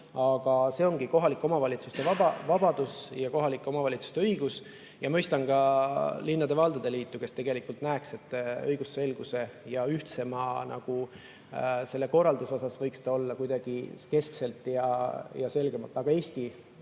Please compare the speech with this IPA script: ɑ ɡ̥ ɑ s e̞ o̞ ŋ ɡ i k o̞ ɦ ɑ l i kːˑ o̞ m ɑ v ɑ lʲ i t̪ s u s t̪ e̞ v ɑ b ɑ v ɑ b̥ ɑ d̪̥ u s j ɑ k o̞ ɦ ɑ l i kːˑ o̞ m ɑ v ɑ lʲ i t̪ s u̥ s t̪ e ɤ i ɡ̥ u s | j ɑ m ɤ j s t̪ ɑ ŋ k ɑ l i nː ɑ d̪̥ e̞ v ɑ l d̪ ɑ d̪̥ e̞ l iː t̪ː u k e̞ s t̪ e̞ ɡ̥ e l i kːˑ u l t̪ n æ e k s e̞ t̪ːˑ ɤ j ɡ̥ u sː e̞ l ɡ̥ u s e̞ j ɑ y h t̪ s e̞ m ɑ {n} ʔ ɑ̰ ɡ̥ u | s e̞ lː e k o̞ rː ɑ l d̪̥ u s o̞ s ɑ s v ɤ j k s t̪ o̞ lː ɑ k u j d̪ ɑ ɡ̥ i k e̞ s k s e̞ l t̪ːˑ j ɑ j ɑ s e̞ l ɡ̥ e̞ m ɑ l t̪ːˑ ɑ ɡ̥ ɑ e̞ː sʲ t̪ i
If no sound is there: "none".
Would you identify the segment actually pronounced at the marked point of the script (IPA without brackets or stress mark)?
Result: n